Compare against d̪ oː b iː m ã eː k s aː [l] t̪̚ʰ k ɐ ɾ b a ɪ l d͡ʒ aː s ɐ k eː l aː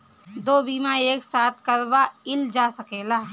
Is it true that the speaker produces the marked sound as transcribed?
no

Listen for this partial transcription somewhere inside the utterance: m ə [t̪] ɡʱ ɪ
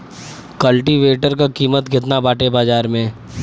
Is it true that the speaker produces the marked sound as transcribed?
yes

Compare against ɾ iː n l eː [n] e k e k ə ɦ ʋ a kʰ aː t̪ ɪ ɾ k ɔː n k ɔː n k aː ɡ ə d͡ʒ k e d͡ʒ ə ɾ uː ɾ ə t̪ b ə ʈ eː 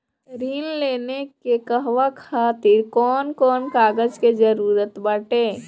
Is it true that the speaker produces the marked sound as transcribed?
yes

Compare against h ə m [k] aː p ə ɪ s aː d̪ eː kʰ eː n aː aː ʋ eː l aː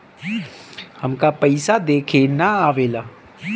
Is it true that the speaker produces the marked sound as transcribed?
yes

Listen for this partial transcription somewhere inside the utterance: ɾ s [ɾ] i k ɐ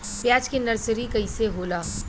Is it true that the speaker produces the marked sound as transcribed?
yes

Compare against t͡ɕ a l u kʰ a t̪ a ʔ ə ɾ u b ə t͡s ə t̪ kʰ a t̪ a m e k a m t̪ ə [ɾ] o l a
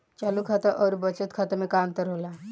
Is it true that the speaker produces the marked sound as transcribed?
yes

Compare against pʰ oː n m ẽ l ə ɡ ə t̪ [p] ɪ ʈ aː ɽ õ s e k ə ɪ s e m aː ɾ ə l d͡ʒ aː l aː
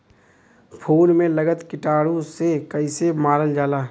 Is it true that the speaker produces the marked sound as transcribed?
no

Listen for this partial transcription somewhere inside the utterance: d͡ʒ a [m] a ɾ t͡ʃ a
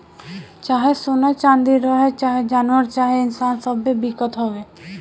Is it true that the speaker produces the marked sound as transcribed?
no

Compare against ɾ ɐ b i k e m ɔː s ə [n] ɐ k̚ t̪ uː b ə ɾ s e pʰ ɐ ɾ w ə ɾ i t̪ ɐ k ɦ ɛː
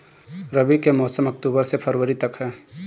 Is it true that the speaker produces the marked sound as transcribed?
no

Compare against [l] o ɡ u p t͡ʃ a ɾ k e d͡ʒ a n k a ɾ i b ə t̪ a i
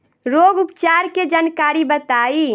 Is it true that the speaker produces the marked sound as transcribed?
no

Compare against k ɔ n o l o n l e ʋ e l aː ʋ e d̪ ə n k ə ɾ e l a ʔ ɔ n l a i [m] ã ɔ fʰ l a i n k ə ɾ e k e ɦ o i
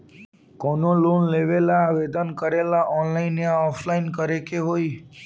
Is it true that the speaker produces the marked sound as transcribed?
no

